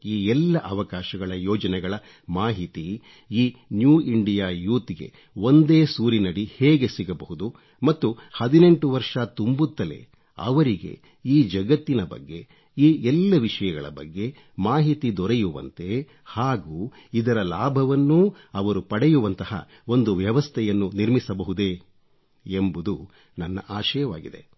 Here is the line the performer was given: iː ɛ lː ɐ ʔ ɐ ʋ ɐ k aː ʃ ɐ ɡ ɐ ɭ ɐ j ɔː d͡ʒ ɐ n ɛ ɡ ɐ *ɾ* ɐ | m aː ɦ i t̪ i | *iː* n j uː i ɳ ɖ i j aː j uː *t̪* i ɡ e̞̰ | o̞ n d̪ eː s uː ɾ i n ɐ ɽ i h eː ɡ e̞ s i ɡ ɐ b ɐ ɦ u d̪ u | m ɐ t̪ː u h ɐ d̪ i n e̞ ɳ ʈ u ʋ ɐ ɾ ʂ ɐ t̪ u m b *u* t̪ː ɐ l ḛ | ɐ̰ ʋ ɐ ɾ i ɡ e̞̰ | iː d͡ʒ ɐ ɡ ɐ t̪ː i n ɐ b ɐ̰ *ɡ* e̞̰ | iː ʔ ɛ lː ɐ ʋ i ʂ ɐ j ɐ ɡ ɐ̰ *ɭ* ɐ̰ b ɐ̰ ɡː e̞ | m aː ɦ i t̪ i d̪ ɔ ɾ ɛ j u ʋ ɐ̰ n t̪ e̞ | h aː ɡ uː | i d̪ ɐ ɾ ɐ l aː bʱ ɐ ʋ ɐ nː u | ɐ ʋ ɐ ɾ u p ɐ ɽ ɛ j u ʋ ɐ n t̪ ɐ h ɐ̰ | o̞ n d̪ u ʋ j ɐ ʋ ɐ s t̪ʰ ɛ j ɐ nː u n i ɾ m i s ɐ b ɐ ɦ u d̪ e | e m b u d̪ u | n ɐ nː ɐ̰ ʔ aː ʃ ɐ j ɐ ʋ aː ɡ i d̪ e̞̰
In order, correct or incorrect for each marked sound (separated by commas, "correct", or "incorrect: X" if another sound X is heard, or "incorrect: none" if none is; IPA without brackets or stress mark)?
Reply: incorrect: ɭ, correct, correct, correct, incorrect: ɡː, correct